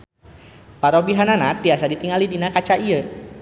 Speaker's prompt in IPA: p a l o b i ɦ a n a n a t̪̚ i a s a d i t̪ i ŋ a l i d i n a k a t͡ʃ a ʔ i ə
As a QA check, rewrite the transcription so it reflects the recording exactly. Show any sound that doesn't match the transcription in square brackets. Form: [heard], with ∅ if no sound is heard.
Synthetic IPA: p a [ɾ] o b i ɦ a n a n a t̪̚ i a s a d i t̪ i ŋ a l i d i n a k a t͡ʃ a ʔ i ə

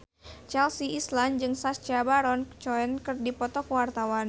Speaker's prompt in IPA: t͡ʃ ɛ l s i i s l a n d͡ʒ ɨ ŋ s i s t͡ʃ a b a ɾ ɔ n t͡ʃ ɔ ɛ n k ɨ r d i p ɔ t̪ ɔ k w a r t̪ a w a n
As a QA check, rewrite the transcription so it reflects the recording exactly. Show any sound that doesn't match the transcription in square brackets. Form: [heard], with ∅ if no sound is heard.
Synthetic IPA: t͡ʃ ɛ l s i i s l a n d͡ʒ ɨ ŋ s [a] s t͡ʃ a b a ɾ ɔ n t͡ʃ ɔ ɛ n k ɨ r d i p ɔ t̪ ɔ k w a r t̪ a w a n

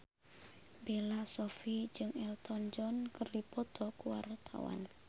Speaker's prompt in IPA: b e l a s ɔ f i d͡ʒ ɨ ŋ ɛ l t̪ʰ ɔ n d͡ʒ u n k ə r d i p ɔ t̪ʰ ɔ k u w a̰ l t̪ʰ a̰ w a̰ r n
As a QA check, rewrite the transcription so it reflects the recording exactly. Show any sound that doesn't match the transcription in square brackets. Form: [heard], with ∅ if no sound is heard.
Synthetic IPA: b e l a s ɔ f i d͡ʒ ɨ ŋ ɛ l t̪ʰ ɔ n d͡ʒ [ɔ] n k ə r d i p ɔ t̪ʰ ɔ k u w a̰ [r] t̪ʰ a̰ w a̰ [∅] n

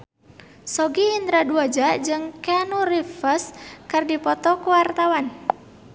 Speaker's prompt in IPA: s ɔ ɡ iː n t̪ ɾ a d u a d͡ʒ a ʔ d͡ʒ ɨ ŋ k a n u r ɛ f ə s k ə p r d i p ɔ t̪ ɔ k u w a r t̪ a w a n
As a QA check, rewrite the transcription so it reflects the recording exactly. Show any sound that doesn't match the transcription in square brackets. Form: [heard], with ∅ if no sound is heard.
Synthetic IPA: s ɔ ɡ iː n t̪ ɾ a d u a d͡ʒ a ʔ d͡ʒ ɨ ŋ k a n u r [i] f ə s k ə [∅] r d i p ɔ t̪ ɔ k u w a r t̪ a w a n

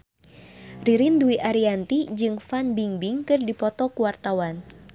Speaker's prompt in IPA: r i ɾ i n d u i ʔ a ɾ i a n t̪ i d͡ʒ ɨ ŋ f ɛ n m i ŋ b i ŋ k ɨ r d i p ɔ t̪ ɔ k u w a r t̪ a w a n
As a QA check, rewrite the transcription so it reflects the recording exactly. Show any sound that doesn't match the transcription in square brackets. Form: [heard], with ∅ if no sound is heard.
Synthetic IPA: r i ɾ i n d u i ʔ a ɾ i a n t̪ i d͡ʒ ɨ ŋ f [a] n [b] i ŋ b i ŋ k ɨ r d i p ɔ t̪ ɔ k u w a r t̪ a w a n

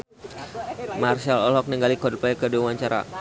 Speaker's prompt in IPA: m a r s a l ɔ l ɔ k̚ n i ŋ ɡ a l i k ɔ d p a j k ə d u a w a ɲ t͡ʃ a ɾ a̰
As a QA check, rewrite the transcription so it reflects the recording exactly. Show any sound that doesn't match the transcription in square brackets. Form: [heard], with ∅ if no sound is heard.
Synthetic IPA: m a r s a l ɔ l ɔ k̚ n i ŋ ɡ a l i k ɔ d p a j k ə d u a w a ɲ t͡ʃ a ɾ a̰

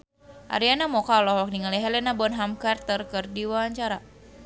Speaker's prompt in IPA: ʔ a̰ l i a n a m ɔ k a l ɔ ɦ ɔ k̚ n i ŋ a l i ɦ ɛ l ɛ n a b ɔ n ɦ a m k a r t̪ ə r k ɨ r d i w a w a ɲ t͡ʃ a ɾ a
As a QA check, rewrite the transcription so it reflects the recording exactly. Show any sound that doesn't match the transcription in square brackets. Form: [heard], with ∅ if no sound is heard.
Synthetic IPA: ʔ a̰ [ɾ] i a n a m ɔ k a l ɔ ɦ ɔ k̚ n i ŋ a l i ɦ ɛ l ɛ n a b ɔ n ɦ a m k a r t̪ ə r k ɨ r d i w a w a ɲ t͡ʃ a ɾ a

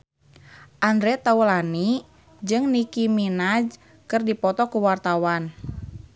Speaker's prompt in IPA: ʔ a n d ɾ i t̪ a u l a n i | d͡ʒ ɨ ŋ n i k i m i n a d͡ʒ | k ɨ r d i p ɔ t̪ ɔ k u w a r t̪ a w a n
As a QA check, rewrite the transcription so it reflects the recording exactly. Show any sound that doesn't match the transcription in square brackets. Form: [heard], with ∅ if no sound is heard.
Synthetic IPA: ʔ a n d ɾ [ɛ] t̪ a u l a n i | d͡ʒ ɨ ŋ n i k i m i n a d͡ʒ | k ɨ r d i p ɔ t̪ ɔ k u w a r t̪ a w a n

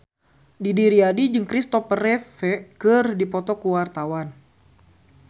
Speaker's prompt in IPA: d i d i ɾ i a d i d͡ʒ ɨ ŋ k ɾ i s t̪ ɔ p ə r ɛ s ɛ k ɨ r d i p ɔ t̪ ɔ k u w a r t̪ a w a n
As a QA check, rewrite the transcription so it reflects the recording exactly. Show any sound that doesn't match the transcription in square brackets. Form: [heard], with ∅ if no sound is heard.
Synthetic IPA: d i d i ɾ i a d i d͡ʒ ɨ ŋ k ɾ i s t̪ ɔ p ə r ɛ [f] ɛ k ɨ r d i p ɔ t̪ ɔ k u w a r t̪ a w a n

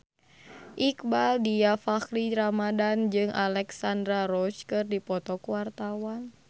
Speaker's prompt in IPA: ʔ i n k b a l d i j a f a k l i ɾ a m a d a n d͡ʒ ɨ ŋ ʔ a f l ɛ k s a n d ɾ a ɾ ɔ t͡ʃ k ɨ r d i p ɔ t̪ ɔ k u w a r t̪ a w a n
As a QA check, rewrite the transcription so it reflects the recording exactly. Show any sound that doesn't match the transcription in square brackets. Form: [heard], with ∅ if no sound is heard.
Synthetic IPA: ʔ i [∅] k b a l d i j a f a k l i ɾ a m a d a n d͡ʒ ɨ ŋ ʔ a [∅] l ɛ k s a n d ɾ a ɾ ɔ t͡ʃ k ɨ r d i p ɔ t̪ ɔ k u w a r t̪ a w a n

